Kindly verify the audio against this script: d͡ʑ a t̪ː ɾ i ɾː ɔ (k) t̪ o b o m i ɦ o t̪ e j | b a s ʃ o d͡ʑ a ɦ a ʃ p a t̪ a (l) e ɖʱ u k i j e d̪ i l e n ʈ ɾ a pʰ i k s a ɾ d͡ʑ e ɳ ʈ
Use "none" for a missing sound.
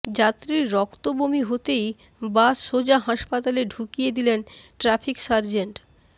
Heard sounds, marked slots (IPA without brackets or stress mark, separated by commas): k, l